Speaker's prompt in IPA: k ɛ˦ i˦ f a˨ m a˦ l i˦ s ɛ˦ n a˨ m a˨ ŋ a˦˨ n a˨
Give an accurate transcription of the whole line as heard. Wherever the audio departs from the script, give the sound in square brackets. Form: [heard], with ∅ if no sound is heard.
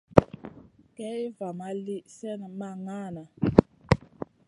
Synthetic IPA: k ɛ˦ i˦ [v] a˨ m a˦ l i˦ s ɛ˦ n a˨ m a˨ ŋ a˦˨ n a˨